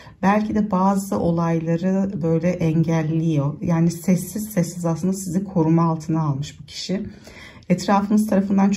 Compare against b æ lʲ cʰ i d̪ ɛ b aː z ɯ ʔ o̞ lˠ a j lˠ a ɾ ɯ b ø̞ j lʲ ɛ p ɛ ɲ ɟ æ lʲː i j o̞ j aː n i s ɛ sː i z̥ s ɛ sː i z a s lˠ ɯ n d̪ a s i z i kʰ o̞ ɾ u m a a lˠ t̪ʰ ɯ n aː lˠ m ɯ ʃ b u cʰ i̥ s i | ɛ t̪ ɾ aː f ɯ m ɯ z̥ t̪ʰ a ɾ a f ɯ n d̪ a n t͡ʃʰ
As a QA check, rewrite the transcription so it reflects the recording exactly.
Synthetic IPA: b æ lʲ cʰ i d̪ ɛ b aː z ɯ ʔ o̞ lˠ a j lˠ a ɾ ɯ b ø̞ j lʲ ɛ ʔ ɛ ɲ ɟ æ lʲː i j o̞ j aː n i s ɛ sː i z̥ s ɛ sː i z a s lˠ ɯ n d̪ a s i z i kʰ o̞ ɾ u m a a lˠ t̪ʰ ɯ n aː lˠ m ɯ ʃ b u cʰ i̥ ʃ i | ɛ t̪ ɾ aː f ɯ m ɯ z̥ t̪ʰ a ɾ a f ɯ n d̪ a n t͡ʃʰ